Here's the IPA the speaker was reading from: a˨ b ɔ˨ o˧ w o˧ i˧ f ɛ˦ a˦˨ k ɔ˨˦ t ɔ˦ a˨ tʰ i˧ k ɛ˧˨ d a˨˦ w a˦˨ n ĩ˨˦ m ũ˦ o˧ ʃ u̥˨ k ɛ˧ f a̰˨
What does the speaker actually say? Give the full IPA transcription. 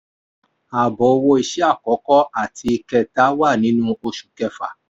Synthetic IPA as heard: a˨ b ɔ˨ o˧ w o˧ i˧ ʃ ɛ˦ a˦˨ k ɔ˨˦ k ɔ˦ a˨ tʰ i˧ k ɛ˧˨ t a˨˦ w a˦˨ n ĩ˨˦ n ũ˦ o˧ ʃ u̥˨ k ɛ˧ f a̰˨